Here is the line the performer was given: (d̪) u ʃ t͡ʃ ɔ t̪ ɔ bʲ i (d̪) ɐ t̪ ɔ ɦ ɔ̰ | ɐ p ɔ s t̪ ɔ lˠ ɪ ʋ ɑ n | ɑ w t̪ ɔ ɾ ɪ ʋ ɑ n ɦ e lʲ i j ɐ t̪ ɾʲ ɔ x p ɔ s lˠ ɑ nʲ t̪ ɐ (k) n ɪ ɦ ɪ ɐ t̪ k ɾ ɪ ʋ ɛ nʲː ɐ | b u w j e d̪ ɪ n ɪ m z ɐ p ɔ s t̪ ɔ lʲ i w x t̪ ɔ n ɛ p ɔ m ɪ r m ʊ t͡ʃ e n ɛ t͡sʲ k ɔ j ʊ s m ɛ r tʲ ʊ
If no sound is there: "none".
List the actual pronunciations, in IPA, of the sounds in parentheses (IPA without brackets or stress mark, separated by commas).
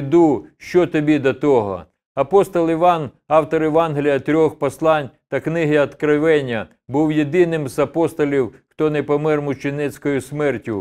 d̪, d̪, k